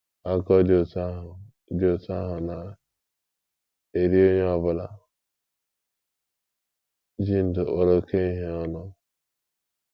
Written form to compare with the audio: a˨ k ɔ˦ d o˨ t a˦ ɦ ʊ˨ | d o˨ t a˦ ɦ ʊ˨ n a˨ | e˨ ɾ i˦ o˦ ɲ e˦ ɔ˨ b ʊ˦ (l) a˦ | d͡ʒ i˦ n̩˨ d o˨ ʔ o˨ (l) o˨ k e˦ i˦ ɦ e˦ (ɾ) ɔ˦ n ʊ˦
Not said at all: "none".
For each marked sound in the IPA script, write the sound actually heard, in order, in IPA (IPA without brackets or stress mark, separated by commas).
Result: l, ɾ, none